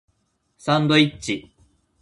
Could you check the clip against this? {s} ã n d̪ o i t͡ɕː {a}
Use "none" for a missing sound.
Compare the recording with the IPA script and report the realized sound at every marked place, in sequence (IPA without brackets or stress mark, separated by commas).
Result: s, i